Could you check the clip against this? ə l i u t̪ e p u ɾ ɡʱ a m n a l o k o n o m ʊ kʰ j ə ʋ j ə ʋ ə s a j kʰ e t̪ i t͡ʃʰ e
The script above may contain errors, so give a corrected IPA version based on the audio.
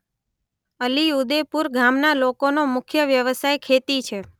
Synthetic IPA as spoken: ə l i u d̪ e p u ɾ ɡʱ a m n a l o k o n o m ʊ kʰ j ə ʋ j ə ʋ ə s a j kʰ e t̪ i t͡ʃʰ e